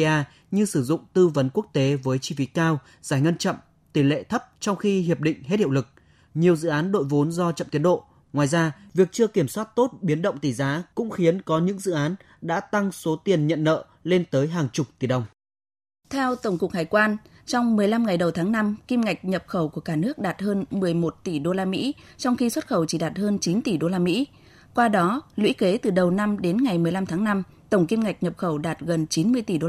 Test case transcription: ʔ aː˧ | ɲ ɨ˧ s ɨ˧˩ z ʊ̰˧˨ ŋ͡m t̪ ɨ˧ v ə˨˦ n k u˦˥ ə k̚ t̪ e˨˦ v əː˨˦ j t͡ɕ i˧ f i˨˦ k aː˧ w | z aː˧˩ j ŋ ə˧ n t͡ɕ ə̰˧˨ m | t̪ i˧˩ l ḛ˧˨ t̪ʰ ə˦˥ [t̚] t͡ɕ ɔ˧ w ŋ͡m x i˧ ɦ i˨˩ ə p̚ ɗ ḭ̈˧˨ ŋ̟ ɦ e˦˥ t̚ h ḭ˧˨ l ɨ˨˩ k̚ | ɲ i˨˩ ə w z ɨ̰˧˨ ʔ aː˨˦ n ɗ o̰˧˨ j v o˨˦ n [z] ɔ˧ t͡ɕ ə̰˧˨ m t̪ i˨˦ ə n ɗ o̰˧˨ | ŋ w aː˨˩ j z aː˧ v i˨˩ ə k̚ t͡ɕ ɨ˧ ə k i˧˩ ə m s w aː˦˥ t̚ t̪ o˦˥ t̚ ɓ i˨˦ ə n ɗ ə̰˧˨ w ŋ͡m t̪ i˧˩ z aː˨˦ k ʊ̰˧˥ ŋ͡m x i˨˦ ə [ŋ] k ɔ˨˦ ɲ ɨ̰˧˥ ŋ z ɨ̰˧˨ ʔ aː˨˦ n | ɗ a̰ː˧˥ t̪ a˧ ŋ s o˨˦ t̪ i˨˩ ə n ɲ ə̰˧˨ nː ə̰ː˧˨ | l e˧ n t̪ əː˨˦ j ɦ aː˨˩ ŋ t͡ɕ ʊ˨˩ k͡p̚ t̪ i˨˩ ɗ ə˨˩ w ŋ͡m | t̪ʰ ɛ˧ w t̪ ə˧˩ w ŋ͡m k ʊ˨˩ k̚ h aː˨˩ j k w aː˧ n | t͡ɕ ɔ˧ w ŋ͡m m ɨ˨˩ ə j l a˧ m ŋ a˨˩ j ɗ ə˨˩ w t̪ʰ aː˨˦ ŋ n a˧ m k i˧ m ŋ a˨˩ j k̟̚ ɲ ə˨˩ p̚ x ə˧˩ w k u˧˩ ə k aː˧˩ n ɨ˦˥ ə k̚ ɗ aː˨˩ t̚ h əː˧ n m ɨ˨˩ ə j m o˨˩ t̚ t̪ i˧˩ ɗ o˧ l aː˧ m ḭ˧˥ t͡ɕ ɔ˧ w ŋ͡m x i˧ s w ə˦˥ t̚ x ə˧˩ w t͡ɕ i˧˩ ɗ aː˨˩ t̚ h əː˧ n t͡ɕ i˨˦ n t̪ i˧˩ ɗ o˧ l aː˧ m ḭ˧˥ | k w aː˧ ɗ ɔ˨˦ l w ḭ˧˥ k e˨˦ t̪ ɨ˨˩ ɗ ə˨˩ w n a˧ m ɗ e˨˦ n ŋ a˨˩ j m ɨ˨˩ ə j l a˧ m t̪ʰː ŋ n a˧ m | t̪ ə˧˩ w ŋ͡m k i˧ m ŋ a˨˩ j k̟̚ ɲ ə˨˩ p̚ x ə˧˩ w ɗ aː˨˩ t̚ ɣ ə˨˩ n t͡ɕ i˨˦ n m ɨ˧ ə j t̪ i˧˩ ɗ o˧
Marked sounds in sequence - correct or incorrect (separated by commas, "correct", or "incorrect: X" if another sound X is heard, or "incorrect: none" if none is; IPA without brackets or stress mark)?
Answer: incorrect: p̚, correct, incorrect: n